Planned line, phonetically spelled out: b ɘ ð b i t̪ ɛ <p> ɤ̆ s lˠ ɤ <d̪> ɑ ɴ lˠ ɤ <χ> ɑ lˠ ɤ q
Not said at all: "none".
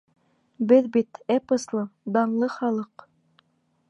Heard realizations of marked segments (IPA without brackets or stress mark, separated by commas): p, d̪, χ